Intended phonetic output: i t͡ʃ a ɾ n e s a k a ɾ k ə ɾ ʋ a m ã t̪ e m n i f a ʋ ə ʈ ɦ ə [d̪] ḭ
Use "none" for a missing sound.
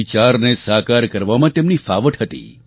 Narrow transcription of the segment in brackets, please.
t̪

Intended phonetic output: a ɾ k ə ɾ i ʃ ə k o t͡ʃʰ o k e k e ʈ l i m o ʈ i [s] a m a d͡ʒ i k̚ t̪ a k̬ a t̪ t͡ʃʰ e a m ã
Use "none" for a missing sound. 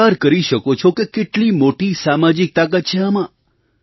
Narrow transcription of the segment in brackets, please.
s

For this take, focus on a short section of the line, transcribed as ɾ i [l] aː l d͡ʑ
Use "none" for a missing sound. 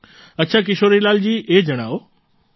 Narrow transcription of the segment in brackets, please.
l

